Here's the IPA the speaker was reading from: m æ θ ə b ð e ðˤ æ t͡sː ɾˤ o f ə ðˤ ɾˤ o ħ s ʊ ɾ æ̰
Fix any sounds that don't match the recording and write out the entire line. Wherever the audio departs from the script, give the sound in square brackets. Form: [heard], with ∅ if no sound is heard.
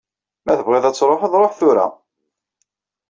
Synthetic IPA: m æ θ ə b [ʁ] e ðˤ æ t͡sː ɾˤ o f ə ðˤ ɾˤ o ħ [θ] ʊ ɾ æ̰